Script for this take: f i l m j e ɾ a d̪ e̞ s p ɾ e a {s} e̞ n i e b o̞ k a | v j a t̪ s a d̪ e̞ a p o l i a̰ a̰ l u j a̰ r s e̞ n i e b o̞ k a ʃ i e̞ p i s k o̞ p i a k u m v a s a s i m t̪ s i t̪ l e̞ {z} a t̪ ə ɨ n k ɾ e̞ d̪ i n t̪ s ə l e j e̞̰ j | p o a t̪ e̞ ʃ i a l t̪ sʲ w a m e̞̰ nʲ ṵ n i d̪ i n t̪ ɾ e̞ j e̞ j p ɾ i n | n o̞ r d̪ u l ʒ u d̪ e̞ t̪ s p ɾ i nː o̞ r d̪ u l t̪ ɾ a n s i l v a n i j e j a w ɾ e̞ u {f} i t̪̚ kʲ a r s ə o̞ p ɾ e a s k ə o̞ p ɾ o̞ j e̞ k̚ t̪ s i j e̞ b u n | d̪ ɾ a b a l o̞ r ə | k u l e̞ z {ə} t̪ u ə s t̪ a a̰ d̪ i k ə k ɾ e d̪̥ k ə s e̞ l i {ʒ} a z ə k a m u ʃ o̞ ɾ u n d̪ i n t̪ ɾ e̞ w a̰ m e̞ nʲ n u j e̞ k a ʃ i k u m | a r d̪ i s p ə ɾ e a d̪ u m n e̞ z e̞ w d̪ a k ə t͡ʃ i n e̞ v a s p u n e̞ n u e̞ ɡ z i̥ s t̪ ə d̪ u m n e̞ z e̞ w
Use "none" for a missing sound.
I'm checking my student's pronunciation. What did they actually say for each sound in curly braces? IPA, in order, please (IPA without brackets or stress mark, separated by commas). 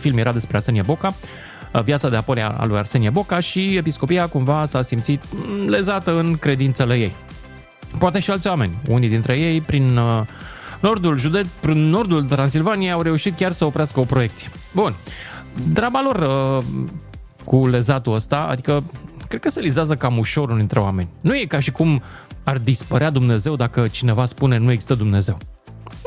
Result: s, z, ʃ, a, z